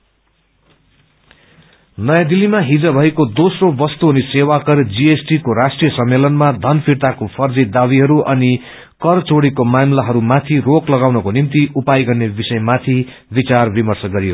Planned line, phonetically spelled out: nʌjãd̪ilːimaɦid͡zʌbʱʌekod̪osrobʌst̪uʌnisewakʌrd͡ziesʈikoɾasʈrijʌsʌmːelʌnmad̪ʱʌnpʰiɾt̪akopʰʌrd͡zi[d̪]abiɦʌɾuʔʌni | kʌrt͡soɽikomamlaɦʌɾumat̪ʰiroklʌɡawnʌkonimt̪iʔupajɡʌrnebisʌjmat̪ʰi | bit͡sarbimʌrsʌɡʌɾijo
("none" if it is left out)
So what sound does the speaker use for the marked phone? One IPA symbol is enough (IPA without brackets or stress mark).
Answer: d̪